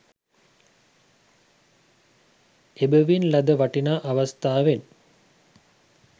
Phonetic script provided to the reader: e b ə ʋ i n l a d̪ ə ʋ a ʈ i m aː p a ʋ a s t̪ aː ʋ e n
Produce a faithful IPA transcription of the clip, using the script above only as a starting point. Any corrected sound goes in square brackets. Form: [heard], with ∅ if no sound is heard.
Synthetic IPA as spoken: e b ə ʋ i n l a d̪ ə ʋ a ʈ i [n] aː [ʔ] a ʋ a s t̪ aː ʋ e n